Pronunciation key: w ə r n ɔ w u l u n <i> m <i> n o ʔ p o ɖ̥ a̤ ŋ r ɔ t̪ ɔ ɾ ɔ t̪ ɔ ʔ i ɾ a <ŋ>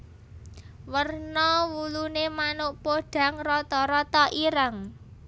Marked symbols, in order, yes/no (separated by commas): no, no, yes